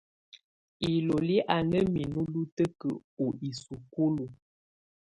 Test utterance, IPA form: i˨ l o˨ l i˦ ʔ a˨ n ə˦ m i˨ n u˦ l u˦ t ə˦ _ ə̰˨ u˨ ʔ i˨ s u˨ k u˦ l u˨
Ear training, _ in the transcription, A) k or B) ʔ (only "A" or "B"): A